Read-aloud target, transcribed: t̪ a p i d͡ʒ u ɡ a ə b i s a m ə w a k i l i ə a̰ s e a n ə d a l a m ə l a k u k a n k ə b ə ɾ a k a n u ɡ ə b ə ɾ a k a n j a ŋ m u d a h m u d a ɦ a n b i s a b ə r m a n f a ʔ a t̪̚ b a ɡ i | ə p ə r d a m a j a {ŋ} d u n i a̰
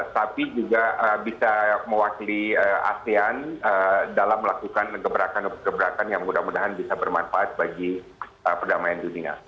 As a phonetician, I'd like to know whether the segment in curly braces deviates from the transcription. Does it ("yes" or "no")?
yes